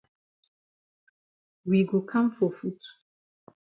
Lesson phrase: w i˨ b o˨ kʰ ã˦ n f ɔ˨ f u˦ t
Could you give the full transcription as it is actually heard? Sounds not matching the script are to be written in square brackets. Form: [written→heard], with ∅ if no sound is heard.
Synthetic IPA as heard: w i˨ [b→ɡ] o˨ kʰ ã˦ [n→m] f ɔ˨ f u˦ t